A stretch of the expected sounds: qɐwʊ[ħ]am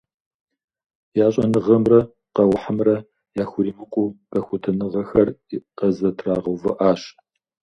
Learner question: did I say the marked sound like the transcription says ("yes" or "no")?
yes